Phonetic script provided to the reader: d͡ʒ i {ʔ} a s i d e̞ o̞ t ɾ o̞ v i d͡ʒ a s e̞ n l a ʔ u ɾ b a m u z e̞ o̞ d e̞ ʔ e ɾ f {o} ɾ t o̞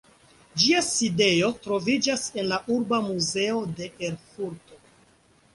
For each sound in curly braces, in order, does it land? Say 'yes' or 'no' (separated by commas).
no, no